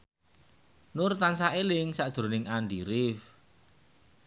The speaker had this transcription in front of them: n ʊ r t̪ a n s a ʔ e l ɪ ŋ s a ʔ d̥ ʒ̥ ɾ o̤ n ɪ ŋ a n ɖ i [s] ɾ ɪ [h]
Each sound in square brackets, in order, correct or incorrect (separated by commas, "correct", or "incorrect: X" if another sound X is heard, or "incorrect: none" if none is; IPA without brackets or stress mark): incorrect: none, incorrect: f